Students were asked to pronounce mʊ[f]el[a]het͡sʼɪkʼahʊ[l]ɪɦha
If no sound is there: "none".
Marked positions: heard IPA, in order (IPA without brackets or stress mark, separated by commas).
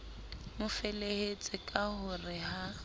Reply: f, e, r